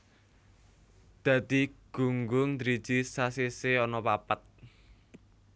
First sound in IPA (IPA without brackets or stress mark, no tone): d̪̥